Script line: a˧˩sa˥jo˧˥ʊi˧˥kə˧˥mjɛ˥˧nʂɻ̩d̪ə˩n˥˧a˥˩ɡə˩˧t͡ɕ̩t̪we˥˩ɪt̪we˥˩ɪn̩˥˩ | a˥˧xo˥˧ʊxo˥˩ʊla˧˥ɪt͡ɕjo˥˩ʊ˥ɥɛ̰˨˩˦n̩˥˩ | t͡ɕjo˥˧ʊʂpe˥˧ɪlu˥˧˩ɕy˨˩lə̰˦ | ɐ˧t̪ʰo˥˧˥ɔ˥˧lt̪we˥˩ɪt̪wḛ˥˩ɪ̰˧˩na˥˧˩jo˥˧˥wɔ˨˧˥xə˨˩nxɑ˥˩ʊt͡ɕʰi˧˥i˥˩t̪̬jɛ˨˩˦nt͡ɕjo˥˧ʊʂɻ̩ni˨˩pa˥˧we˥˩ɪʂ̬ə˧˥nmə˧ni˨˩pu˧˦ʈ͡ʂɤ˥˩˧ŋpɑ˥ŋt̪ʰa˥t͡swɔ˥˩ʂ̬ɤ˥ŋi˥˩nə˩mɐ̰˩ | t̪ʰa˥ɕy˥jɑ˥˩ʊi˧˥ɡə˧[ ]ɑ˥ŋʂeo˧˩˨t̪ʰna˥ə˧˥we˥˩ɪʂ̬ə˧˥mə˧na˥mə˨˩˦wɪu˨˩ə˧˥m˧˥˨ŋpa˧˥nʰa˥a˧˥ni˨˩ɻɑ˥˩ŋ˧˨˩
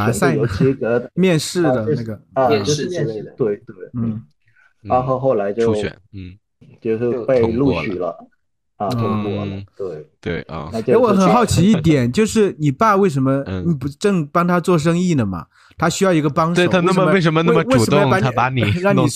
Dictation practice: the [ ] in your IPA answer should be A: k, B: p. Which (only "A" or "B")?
B